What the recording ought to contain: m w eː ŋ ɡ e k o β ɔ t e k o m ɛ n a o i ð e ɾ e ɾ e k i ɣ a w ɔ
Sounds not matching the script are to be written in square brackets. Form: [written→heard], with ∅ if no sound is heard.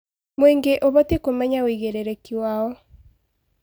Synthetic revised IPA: m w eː ŋ ɡ e [k→ʔ] o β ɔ t e k o m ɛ [n→ɲ] a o i [ð→ɣ] e ɾ e ɾ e k i [ɣ→w] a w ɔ